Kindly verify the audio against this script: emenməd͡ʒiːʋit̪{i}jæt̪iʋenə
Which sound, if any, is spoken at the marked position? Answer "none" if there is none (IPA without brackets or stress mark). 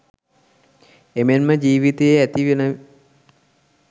e